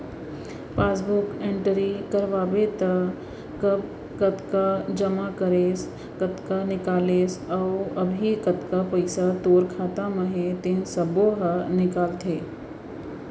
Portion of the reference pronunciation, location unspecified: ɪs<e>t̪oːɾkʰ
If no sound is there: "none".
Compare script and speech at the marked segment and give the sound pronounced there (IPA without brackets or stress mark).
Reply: a